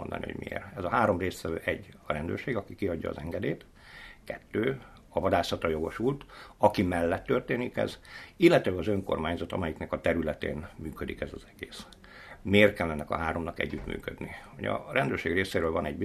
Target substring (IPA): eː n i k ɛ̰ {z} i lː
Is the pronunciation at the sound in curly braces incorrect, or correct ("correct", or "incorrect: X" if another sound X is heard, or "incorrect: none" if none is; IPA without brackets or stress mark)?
correct